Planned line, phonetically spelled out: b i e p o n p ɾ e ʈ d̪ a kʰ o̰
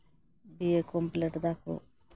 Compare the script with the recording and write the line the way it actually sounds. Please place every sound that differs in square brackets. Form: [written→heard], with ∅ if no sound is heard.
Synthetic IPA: b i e [p→k] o [n→m] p [ɾ→l] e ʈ d̪ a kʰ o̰